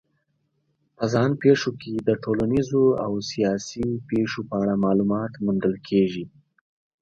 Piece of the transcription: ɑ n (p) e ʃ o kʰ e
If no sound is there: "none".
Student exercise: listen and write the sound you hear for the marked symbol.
p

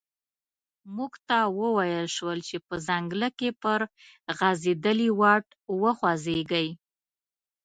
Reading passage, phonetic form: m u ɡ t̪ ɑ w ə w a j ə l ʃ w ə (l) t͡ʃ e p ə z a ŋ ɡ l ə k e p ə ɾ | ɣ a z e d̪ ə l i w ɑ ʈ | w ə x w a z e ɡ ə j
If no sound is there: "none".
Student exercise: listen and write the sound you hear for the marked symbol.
l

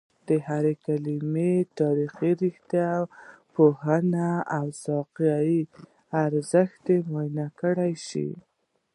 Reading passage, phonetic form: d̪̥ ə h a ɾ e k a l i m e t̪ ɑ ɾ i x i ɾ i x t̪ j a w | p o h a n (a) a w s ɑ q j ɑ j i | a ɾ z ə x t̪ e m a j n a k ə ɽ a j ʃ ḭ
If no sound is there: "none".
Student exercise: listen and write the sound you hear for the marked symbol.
a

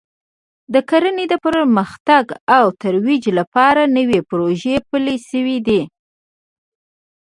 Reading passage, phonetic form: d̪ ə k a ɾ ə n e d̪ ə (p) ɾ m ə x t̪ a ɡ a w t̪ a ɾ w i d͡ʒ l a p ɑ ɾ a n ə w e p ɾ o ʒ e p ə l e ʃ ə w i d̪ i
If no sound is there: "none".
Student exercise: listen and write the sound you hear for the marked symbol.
p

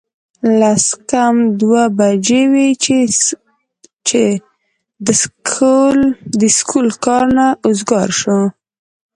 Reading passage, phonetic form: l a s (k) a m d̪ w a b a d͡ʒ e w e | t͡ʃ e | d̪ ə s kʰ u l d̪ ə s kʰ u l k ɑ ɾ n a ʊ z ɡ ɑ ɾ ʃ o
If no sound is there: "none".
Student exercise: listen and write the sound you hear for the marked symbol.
k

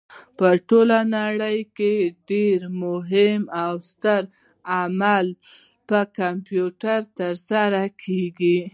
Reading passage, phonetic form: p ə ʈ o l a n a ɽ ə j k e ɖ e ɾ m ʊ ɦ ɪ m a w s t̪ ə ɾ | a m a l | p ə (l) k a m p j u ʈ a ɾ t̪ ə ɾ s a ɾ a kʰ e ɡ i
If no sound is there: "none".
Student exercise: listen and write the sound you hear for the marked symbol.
none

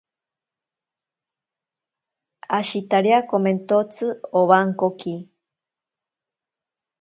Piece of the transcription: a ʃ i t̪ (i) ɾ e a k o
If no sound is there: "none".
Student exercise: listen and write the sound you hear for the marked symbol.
a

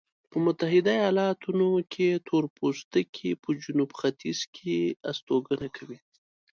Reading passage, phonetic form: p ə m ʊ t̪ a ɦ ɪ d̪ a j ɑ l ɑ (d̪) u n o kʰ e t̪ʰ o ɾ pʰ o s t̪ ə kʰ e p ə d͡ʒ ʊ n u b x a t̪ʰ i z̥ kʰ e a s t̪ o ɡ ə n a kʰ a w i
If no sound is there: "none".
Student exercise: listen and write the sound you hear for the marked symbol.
t̪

